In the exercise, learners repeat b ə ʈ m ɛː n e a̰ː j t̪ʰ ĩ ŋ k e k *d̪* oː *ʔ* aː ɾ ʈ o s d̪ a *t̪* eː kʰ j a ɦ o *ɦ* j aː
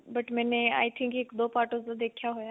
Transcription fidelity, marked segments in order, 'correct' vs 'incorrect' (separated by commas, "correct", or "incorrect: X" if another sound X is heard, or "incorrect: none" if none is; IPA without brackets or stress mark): correct, incorrect: p, incorrect: d̪, incorrect: none